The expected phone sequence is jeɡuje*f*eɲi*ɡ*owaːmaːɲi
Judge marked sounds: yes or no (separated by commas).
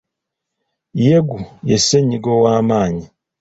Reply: no, yes